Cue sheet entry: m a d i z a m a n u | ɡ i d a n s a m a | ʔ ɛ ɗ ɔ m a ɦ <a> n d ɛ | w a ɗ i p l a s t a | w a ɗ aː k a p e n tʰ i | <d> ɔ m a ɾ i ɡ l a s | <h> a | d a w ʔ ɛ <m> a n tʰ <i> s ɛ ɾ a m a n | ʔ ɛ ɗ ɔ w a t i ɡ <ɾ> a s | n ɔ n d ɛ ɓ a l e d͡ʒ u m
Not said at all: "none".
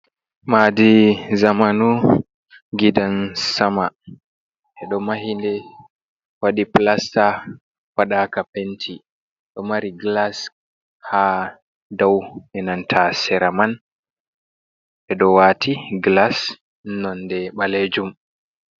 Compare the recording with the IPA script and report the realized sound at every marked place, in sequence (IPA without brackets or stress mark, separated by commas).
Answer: i, ɗ, h, n, a, l